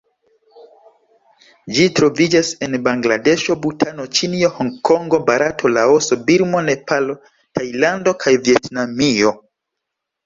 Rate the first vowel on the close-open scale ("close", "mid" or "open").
close